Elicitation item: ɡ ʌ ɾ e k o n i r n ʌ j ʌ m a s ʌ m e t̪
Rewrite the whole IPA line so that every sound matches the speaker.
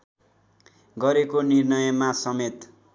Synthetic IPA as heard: ɡ ʌ ɾ e k o n i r n ʌ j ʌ m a s ʌ m e t̪